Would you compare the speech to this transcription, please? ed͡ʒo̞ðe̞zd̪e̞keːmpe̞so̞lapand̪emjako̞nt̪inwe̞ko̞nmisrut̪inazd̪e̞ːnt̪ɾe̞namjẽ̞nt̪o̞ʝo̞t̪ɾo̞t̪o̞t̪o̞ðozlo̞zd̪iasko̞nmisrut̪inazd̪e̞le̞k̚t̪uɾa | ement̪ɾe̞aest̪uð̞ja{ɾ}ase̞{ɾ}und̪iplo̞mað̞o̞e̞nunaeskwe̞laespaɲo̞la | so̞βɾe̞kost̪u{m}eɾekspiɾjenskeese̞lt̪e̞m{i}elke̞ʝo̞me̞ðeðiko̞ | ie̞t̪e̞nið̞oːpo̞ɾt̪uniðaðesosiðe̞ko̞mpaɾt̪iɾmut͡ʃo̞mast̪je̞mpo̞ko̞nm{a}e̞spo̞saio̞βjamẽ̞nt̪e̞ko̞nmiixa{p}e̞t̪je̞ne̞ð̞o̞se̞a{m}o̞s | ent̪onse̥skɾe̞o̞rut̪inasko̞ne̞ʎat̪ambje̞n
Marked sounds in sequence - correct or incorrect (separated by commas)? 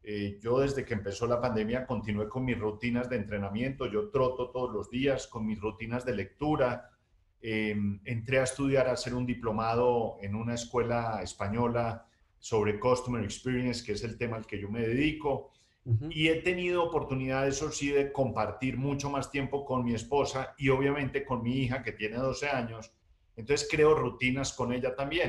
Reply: correct, correct, correct, incorrect, incorrect, incorrect, incorrect